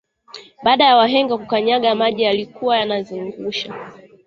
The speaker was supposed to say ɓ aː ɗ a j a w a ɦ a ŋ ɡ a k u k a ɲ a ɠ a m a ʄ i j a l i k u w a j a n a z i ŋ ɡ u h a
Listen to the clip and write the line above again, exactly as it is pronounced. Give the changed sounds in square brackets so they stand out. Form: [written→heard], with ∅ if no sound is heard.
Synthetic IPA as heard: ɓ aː ɗ a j a w a ɦ [a→ɛ] ŋ ɡ a k u k a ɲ a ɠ a m a ʄ i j a l i k u w a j a n a z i ŋ ɡ u [h→ʃ] a